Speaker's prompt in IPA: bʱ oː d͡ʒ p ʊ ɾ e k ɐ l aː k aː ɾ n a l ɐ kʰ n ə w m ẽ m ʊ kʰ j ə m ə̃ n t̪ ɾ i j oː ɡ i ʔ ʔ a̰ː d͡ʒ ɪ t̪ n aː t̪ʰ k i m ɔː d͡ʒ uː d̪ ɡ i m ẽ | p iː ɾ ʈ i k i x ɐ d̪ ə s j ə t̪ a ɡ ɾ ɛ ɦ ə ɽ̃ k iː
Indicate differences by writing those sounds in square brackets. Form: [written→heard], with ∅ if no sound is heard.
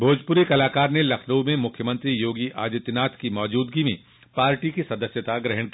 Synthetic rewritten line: bʱ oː d͡ʒ p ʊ ɾ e k ɐ l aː k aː ɾ n [a→e] l ɐ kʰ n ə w m ẽ m ʊ kʰ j ə m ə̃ n t̪ ɾ i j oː ɡ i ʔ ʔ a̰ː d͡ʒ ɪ t̪ n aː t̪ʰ k i m ɔː d͡ʒ uː d̪ ɡ i m ẽ | p [iː→aː] ɾ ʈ i k i [x→s] ɐ d̪ ə s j ə t̪ a ɡ ɾ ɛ ɦ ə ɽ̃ k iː